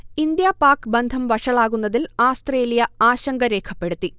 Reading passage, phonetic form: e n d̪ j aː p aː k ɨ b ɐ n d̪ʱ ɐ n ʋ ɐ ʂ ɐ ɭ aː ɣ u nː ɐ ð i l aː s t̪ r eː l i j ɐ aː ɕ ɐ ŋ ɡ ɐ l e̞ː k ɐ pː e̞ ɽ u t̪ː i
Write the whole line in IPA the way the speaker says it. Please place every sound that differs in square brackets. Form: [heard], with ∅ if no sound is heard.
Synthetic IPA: [i] n d̪ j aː p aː k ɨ b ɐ n d̪ʱ ɐ [m] ʋ ɐ ʂ ɐ ɭ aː ɣ u nː ɐ ð i l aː s t̪ r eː l i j ɐ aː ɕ ɐ ŋ ɡ ɐ [ɾ] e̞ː [kʰ] ɐ pː e̞ ɽ u t̪ː i